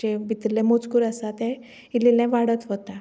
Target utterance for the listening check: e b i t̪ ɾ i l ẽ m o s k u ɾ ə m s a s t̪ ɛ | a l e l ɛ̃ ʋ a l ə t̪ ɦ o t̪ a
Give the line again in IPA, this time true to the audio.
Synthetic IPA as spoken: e b i t̪ ɾ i l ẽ m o t͡s k u ɾ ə s a t̪ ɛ | i l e l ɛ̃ ʋ a ɽ ə t̪ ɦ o t̪ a